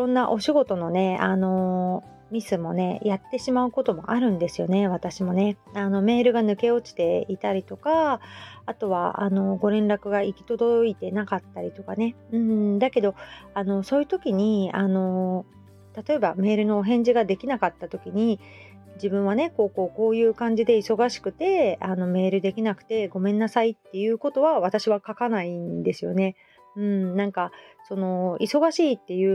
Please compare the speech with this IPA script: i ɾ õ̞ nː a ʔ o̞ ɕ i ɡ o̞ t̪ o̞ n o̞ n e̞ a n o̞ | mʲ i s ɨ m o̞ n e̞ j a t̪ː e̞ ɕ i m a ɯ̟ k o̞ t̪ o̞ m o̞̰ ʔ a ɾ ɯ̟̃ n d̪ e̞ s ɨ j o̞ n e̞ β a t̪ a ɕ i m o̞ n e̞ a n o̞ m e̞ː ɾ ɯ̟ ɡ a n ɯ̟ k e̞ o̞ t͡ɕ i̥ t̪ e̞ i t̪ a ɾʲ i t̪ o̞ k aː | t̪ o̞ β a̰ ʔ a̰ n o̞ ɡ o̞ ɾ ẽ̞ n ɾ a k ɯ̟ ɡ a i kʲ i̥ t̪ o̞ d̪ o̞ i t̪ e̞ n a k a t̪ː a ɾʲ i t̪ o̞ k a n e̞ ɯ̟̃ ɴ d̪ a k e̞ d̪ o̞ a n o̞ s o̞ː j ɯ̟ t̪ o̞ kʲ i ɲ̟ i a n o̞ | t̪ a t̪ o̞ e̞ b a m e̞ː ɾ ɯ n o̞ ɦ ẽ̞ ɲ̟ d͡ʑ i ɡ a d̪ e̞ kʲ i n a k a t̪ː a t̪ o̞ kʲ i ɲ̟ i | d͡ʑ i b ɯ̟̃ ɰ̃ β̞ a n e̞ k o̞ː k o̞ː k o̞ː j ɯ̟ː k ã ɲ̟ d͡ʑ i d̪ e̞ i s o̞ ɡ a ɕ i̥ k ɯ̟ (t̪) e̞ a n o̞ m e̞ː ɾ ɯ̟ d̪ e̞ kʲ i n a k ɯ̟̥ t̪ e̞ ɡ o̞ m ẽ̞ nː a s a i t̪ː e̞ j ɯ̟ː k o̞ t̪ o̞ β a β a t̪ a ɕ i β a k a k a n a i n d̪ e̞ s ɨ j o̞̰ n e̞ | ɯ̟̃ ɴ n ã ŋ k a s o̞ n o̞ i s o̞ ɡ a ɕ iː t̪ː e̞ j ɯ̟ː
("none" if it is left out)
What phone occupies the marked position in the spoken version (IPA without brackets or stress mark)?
t̪